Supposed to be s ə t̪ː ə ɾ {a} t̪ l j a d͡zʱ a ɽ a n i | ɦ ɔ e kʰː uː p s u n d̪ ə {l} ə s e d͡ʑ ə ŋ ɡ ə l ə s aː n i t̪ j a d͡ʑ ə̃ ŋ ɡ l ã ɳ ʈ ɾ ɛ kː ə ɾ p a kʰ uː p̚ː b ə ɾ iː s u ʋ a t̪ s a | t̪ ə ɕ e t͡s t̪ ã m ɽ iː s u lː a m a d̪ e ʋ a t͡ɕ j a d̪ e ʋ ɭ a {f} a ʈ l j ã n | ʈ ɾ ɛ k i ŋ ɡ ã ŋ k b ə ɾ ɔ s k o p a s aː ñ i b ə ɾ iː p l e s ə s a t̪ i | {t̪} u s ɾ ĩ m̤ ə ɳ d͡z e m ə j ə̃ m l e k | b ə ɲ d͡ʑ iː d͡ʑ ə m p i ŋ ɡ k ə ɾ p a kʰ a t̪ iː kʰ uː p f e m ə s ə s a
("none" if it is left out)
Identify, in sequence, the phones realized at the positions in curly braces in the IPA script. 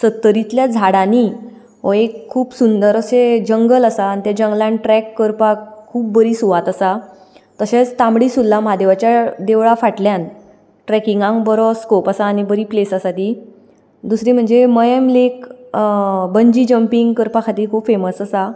i, ɾ, f, d̪

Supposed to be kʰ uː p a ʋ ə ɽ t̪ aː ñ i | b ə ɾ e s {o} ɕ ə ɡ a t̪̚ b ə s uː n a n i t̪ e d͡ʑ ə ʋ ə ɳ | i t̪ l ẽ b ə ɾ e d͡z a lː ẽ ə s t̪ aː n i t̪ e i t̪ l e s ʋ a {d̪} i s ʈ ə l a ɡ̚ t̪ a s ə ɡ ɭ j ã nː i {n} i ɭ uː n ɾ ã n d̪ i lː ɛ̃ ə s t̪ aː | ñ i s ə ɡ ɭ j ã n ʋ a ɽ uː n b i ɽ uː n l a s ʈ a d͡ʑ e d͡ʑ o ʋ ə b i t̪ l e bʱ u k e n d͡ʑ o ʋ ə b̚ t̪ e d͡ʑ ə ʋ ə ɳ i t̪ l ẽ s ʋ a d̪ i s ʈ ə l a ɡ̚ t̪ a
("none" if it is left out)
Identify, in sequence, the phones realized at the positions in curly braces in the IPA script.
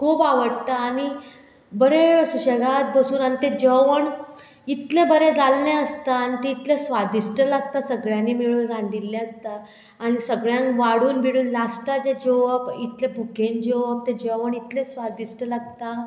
u, d̪, m

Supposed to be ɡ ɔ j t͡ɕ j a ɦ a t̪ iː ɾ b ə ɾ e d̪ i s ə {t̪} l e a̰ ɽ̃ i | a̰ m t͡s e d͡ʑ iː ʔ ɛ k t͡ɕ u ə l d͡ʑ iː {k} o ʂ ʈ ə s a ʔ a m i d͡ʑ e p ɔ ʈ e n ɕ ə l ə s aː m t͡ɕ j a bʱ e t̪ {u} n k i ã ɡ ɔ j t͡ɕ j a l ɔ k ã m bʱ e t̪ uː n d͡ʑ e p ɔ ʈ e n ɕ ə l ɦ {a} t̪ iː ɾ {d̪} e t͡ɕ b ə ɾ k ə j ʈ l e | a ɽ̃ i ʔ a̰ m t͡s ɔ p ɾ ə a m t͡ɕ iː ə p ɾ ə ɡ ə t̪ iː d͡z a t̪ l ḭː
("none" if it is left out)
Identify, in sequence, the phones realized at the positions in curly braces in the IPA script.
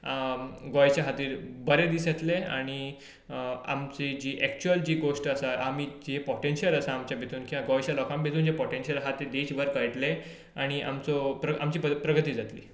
t̪, ɡ, uː, a, d̪

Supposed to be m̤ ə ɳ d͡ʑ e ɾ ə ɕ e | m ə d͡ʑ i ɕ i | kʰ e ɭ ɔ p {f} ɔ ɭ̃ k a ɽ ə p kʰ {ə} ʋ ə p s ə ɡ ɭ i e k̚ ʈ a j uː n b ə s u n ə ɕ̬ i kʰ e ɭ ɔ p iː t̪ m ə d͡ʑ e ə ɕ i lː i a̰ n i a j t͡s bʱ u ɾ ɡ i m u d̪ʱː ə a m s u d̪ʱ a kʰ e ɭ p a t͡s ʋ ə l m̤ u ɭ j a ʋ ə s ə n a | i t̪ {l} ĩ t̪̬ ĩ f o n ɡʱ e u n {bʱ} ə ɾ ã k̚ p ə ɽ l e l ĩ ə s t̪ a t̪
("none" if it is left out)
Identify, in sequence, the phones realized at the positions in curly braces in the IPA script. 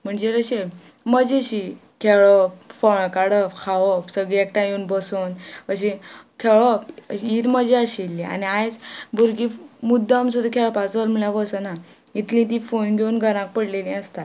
f, a, l, ɡʱ

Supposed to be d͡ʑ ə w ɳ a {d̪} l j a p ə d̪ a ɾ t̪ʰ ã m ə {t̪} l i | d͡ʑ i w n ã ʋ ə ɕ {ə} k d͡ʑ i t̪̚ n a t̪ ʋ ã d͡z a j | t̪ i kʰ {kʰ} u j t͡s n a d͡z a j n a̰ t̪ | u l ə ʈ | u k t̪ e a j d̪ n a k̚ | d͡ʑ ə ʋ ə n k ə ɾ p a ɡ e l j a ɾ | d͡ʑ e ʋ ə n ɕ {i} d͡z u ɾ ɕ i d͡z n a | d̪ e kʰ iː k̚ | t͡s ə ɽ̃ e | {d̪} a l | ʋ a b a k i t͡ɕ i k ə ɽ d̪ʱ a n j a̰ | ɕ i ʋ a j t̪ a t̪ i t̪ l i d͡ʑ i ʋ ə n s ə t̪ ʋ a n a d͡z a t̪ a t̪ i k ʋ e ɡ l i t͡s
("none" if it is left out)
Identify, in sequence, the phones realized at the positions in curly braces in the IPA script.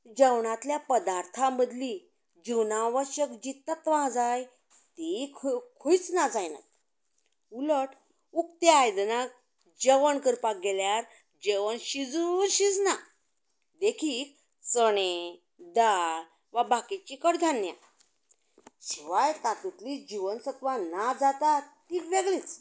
t̪, d̪, ə, kʰ, i, d̪

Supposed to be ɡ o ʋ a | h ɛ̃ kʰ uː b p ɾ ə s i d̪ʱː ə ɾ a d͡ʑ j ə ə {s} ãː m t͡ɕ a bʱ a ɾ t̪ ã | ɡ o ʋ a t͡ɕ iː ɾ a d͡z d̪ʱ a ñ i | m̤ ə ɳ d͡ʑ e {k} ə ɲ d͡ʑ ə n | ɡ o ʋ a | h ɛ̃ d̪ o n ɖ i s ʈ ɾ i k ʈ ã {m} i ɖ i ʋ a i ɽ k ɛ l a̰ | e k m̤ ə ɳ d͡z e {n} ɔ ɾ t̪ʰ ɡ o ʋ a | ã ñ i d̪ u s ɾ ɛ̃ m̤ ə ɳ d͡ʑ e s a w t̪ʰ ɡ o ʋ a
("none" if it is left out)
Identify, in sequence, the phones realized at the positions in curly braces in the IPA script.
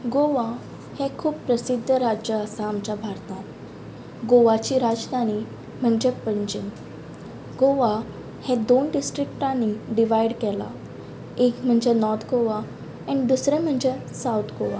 s, p, n, n

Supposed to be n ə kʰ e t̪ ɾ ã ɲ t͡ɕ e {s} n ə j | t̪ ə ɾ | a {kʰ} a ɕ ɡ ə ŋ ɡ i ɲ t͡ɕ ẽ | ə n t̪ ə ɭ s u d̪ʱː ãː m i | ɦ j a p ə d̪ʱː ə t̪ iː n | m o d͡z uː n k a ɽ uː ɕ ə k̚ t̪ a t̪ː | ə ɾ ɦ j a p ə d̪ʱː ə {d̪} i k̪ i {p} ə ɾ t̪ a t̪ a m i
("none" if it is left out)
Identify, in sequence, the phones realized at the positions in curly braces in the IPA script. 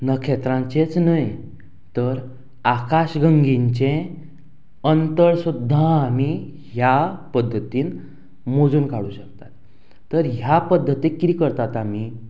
t͡s, k, t̪, k

